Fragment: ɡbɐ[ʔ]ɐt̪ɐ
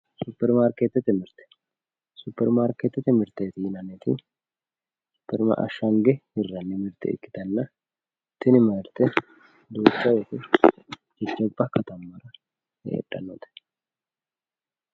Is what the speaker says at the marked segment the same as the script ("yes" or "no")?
no